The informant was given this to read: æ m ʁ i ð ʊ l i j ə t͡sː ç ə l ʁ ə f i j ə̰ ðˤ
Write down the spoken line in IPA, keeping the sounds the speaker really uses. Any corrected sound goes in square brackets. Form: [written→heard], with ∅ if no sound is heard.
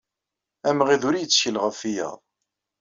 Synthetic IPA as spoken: æ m ʁ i ð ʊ [l→ɾ] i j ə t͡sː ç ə l ʁ ə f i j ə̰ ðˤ

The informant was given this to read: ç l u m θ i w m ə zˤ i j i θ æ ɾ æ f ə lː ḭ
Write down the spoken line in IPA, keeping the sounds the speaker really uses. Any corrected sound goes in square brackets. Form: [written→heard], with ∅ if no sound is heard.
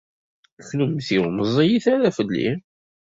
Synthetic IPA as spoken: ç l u m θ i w m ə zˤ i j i θ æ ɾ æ f ə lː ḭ

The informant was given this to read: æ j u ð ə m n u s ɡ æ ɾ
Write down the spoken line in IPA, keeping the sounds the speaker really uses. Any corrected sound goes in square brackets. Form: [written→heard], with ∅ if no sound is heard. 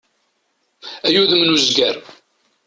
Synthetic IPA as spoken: æ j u ð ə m n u [s→z] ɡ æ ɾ

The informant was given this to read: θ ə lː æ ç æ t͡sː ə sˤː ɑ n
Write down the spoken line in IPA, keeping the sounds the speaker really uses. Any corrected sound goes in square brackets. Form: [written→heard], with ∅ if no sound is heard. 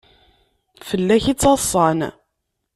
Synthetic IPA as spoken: [θ→f] ə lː æ ç [æ→i] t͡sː [ə→ɑ] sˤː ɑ n

